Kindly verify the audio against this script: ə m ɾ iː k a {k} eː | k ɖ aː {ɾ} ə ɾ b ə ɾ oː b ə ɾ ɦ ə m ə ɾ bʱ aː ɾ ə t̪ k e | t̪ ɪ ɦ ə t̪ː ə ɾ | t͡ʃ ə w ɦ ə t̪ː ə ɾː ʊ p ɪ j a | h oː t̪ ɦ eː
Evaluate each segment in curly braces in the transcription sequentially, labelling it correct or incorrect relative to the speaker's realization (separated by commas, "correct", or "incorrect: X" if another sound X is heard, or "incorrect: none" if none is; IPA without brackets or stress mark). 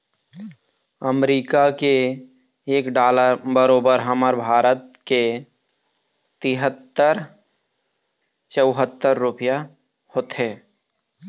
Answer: correct, incorrect: l